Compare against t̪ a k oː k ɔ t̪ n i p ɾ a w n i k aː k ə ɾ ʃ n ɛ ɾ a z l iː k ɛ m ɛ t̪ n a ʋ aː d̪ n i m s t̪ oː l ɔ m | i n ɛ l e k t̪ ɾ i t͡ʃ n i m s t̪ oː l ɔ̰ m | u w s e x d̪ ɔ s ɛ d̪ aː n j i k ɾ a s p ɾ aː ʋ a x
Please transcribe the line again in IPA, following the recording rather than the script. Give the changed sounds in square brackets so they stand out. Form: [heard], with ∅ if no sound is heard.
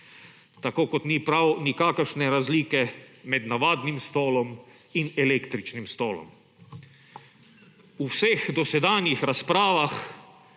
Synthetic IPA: t̪ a k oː k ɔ t̪ n i p ɾ a w n i k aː k ə ɾ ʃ n ɛ ɾ a z l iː k ɛ m ɛ [d̪] n a ʋ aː d̪ n i m s t̪ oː l ɔ m | i n ɛ l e k t̪ ɾ i t͡ʃ n i m s t̪ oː l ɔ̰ m | u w s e x d̪ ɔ s ɛ d̪ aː n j i [x] ɾ a s p ɾ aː ʋ a x